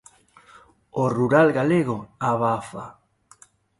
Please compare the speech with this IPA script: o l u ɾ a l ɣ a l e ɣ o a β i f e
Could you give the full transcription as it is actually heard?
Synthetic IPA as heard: o r u ɾ a l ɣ a l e ɣ o a β a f a